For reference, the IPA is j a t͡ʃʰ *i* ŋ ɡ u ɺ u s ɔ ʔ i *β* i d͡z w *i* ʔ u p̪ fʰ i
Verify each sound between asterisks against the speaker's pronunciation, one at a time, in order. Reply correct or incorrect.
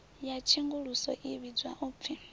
correct, correct, incorrect: a

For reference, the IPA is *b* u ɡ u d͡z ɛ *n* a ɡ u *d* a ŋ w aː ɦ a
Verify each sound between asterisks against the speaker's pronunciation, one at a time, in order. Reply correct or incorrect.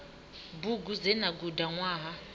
correct, correct, correct

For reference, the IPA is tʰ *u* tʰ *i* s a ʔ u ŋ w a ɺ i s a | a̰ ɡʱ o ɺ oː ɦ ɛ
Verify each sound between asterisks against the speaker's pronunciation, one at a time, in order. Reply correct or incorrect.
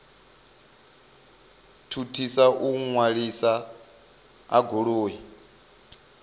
correct, correct

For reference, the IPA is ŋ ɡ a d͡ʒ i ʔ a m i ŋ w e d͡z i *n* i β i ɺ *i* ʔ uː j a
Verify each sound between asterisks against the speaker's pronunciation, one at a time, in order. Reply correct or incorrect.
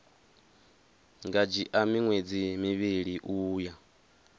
incorrect: m, correct

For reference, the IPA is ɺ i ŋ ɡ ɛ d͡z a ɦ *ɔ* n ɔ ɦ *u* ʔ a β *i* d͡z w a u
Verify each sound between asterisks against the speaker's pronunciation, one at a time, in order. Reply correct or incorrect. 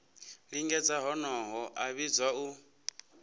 correct, incorrect: ɔ, correct

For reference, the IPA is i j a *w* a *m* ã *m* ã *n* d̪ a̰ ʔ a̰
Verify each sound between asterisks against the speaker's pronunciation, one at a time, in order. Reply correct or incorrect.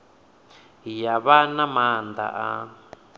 incorrect: β, incorrect: n, correct, correct

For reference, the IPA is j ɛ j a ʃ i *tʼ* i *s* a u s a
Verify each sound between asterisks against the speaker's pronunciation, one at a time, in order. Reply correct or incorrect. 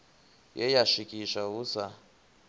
incorrect: kʼ, incorrect: ʃ

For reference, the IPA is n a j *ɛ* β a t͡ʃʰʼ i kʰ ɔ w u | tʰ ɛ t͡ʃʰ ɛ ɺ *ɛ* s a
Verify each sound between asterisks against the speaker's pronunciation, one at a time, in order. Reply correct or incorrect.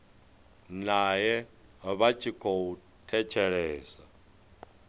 correct, incorrect: ɛː

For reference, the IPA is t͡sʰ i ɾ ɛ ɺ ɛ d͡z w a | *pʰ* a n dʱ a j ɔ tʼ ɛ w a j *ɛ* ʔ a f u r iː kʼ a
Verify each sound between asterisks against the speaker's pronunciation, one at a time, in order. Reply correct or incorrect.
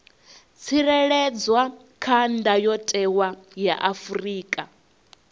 incorrect: kʰ, incorrect: a

